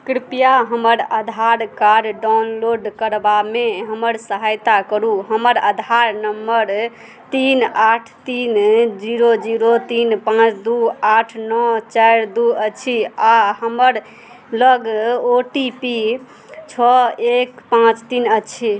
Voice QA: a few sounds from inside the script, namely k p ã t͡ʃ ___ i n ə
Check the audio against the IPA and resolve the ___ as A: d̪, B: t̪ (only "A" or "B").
B